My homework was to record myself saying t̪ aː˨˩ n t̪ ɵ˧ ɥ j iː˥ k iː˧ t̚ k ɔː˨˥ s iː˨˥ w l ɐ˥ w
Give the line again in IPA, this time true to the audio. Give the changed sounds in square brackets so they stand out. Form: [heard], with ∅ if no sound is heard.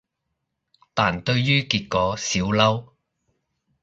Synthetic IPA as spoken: t̪ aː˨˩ n t̪ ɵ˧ ɥ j [yː˥] k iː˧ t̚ k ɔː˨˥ s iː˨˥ w l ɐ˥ w